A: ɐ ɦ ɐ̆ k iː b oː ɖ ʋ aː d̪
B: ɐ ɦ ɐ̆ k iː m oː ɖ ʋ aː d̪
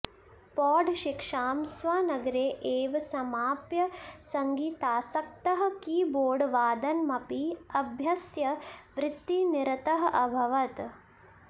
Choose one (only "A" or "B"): A